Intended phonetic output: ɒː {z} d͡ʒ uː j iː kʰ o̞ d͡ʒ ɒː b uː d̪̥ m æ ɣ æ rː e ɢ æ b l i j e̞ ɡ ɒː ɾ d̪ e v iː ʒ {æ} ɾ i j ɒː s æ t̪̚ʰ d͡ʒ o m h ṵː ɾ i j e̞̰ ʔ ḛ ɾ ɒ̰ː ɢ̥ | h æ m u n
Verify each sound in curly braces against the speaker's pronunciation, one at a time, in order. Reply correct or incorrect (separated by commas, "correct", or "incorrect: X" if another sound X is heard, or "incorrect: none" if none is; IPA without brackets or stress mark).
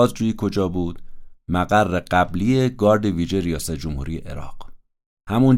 correct, incorrect: e